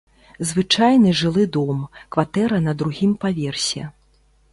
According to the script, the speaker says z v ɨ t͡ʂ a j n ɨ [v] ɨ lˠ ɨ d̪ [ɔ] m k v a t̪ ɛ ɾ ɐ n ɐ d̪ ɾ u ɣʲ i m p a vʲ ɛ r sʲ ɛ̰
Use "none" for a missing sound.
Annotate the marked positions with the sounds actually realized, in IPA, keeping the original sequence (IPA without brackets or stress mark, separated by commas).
ʐ, ɔ